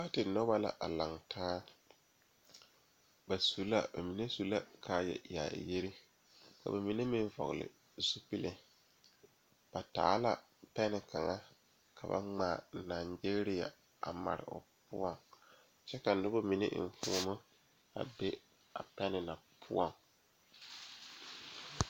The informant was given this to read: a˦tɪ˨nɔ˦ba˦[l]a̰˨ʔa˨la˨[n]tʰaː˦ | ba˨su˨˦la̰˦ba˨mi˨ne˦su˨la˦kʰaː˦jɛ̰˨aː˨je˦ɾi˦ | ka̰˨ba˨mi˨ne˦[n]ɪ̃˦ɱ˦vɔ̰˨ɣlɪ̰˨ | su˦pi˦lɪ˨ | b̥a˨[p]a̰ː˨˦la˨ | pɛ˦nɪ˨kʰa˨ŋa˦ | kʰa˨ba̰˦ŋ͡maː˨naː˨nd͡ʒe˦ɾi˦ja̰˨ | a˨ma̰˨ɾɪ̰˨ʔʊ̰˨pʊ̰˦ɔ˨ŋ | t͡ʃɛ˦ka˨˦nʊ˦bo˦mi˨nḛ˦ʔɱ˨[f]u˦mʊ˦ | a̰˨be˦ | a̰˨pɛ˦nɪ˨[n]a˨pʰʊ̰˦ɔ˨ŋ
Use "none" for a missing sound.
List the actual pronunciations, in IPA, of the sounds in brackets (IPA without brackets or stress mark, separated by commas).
l, ŋ, m, t, f, n